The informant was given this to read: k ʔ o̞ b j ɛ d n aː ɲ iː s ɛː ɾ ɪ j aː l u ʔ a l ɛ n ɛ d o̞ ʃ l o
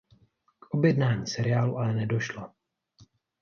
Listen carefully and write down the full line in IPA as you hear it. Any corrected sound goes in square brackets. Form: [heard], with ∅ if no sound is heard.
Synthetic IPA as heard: k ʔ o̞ b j ɛ d n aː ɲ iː s [ɛ] ɾ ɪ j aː l u ʔ a l ɛ n ɛ d o̞ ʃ l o